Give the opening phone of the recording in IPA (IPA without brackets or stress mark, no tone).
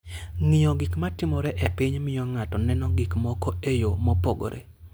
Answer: ŋ